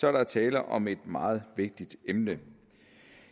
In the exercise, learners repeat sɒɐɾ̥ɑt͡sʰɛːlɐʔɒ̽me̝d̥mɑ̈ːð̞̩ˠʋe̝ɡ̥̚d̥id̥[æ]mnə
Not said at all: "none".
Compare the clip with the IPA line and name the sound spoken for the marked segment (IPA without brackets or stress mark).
e